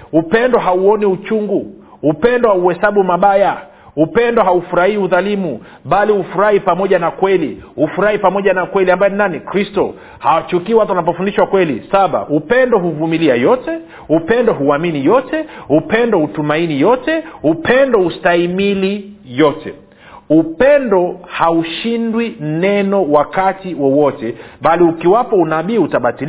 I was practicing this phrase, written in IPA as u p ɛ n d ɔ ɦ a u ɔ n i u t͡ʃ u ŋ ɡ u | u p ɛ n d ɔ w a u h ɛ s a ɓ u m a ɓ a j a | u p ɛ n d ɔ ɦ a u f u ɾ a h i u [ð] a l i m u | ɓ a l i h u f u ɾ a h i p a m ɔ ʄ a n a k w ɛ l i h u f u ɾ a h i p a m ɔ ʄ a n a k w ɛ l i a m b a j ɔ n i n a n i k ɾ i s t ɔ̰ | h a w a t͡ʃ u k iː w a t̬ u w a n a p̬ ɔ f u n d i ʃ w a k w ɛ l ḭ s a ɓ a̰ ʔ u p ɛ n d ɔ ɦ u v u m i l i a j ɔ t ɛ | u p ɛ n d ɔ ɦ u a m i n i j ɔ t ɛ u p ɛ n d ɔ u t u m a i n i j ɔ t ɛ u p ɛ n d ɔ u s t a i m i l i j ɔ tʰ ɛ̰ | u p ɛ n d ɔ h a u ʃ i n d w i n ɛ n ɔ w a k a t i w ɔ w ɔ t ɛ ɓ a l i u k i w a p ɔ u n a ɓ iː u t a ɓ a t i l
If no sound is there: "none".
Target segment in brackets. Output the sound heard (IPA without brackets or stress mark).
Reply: ð